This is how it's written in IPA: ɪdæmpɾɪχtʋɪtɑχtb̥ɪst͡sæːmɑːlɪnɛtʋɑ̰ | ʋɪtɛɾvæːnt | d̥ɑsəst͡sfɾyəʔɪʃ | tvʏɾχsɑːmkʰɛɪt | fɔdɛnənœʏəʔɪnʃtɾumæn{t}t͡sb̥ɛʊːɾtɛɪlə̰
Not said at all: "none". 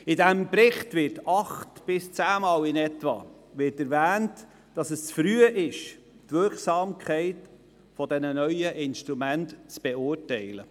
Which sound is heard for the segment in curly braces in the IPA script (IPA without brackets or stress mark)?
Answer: t